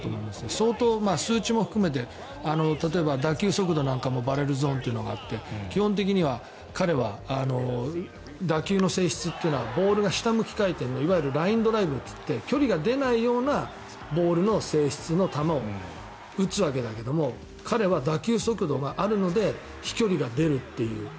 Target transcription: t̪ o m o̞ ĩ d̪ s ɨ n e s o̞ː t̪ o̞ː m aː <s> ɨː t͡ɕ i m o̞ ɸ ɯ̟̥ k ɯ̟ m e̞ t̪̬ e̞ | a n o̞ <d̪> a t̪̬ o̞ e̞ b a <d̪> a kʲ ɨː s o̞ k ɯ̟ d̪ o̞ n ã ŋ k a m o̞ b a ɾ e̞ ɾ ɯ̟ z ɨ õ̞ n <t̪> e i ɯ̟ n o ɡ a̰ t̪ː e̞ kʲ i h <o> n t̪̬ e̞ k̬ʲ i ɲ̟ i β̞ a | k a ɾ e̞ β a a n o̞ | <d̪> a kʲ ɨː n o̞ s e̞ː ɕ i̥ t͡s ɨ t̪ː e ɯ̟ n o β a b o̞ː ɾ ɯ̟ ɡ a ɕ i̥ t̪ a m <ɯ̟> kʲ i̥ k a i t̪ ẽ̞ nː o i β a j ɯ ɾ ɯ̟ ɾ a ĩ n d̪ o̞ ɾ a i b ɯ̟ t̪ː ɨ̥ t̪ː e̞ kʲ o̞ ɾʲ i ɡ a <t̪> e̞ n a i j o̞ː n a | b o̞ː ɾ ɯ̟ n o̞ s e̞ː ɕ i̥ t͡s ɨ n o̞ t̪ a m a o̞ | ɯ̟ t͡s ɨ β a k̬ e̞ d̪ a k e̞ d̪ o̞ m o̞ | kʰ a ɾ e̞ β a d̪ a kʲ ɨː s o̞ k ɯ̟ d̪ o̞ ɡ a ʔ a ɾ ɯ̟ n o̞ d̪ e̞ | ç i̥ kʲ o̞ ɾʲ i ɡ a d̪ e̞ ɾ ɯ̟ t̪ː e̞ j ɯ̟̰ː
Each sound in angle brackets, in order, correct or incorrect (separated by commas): correct, incorrect, correct, correct, incorrect, correct, correct, incorrect